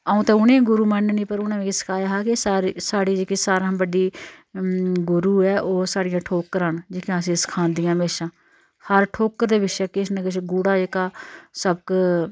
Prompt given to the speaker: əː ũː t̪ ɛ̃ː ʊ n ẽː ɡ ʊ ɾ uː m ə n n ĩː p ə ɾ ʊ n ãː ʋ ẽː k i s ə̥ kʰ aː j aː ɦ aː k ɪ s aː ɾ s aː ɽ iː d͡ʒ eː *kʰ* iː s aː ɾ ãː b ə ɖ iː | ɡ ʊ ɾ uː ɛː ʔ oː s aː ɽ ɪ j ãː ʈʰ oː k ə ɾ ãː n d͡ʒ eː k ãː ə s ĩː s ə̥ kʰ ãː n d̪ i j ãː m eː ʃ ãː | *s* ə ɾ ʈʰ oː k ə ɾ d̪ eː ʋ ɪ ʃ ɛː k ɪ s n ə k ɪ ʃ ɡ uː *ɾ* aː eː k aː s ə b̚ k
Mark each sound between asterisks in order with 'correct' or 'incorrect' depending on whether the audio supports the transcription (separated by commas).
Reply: incorrect, incorrect, incorrect